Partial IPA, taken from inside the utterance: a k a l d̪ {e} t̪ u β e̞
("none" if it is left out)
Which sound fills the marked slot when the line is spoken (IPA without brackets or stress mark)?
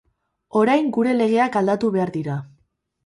a